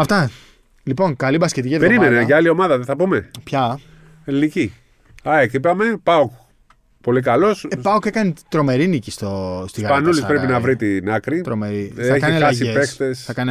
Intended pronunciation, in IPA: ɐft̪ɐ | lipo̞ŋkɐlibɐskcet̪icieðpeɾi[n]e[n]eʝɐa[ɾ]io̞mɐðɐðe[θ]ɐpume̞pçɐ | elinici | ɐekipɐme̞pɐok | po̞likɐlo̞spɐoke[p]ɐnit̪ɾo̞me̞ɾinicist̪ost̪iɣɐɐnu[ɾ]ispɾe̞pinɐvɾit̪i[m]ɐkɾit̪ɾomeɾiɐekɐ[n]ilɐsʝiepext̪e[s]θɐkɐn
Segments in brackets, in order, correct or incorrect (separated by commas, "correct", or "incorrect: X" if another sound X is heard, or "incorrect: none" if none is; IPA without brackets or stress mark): incorrect: m, correct, incorrect: l, correct, incorrect: k, incorrect: l, incorrect: n, correct, correct